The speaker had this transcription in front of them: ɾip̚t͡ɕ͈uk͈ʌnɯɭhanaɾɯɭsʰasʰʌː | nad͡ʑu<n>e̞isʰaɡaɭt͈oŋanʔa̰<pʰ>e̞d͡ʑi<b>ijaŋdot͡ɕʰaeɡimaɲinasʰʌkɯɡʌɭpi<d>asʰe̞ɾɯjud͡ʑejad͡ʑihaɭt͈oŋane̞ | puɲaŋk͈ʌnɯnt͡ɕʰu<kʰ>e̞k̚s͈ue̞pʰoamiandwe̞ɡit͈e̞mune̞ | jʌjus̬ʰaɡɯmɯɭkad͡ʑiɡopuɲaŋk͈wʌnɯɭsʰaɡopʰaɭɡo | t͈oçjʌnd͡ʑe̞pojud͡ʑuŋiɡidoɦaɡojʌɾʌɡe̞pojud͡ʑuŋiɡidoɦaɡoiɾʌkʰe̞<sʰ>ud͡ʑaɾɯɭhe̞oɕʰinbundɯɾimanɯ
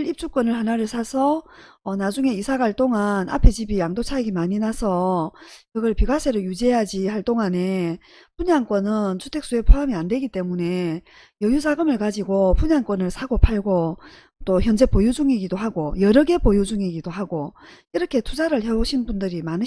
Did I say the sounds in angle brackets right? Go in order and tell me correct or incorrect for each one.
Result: incorrect, correct, correct, incorrect, incorrect, incorrect

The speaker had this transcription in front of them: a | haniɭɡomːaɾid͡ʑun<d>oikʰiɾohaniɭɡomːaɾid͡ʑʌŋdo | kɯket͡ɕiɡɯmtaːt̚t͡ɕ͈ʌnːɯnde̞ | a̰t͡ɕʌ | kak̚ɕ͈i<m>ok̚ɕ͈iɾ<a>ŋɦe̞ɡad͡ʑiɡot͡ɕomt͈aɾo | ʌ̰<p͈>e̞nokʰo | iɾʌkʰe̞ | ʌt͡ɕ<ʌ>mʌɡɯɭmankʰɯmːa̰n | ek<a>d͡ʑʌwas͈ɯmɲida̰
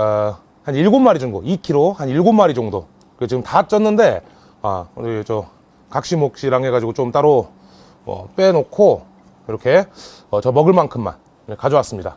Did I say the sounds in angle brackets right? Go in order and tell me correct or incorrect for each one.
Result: incorrect, correct, correct, correct, correct, correct

